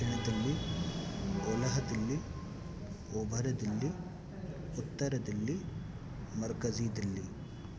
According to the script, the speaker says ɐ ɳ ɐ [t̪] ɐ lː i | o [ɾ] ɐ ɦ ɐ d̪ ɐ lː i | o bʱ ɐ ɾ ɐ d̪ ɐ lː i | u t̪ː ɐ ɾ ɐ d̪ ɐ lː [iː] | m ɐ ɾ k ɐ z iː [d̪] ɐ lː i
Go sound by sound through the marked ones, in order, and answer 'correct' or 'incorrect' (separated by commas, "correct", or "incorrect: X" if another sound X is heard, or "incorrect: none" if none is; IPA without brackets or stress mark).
incorrect: d̪, incorrect: l, incorrect: i, correct